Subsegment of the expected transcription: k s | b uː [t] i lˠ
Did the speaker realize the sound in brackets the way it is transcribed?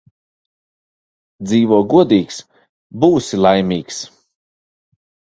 no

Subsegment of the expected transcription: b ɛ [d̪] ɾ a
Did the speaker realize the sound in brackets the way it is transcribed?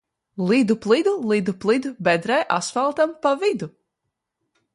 yes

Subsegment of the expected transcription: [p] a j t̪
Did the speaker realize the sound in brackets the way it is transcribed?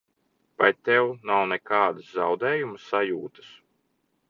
yes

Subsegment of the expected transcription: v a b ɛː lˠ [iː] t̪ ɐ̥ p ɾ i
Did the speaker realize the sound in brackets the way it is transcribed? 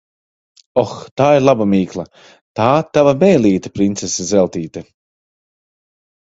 yes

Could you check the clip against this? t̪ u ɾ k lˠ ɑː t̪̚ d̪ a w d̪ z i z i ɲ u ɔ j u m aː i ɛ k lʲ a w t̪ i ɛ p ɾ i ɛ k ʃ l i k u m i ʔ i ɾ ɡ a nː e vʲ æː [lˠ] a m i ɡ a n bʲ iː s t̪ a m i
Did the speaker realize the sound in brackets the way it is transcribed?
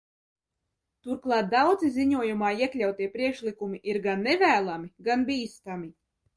yes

